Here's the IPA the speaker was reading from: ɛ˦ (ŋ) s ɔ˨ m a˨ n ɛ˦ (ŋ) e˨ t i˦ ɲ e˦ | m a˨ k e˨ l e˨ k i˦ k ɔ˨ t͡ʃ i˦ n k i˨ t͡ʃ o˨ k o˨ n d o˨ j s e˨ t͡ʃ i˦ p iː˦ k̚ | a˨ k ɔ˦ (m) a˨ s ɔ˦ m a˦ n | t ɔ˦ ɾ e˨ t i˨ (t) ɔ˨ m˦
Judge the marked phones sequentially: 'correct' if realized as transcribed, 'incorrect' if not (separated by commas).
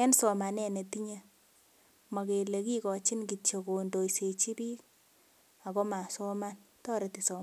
incorrect, incorrect, correct, incorrect